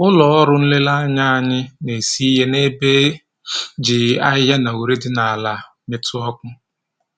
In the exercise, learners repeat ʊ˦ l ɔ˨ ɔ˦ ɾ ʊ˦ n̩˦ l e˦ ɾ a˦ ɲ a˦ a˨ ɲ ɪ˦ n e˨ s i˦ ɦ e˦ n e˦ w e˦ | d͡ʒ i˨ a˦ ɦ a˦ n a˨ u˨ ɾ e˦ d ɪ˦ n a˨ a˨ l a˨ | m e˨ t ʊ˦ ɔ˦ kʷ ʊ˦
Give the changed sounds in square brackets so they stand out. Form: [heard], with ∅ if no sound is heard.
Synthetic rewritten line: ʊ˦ l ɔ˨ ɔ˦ ɾ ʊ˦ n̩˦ l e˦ [l] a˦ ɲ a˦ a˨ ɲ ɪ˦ n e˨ s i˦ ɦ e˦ n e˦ [b] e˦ | d͡ʒ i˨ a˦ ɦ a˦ n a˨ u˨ ɾ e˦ d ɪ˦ n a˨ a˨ l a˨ | m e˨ t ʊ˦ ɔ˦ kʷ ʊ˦

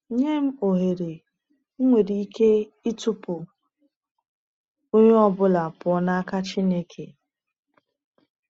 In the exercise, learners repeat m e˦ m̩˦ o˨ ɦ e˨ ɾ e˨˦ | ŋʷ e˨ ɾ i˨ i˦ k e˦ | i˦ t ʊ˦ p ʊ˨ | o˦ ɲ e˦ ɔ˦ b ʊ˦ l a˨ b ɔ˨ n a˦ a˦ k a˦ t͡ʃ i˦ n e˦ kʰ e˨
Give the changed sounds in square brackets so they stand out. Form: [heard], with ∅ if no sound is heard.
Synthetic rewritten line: [ɲ] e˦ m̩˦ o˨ ɦ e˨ ɾ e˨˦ | ŋʷ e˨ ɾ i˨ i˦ k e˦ | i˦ t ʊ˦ p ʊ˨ | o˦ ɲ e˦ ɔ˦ b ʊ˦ l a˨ [p] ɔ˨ n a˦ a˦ k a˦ t͡ʃ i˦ n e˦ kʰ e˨

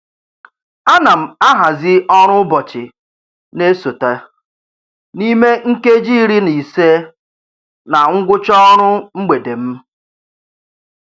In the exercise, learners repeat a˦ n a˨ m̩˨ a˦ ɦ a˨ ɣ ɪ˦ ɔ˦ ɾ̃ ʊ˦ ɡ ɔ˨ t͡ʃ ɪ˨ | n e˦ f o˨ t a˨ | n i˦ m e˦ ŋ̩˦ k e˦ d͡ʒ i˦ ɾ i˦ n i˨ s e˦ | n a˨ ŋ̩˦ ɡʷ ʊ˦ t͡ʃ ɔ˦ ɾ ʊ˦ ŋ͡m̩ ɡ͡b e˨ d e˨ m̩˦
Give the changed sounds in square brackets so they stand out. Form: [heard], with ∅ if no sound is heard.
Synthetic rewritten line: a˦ n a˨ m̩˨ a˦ ɦ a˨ [z] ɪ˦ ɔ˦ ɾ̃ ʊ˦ [b] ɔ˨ t͡ʃ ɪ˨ | n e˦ [s] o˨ t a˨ | n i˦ m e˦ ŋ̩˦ k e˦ d͡ʒ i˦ ɾ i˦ n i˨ s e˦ | n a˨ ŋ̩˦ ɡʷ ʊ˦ t͡ʃ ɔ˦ ɾ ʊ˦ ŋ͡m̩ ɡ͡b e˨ d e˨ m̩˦

